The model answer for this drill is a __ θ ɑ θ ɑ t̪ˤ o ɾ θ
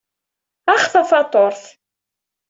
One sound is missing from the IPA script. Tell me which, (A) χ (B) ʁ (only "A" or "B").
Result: A